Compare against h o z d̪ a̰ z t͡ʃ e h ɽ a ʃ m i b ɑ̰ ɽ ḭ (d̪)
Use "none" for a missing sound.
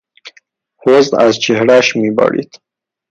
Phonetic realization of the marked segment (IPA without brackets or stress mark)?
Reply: t̪